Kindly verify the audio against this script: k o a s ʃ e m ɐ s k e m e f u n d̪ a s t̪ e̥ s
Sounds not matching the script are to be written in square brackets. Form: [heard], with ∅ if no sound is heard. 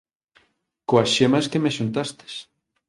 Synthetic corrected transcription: k o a s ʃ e m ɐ s k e m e [ʃ] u n [t̪] a s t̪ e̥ s